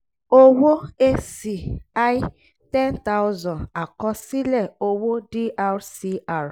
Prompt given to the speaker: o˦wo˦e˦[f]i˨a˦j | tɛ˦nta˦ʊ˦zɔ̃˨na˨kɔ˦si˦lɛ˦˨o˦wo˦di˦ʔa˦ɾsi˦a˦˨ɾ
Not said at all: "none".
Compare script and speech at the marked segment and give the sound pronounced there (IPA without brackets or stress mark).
s